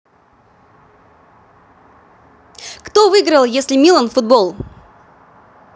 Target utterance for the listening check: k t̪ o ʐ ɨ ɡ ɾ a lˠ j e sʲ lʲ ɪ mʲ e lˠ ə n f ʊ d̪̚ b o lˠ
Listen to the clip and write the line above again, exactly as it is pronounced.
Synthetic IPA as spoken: k t̪ o v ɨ ɡ ɾ ə lˠ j e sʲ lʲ ɪ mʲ i lˠ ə n f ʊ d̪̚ b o lˠ